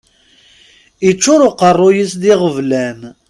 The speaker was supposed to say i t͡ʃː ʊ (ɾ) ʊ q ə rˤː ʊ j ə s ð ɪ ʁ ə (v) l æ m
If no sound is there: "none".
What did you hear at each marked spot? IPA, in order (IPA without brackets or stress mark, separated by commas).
ɾ, v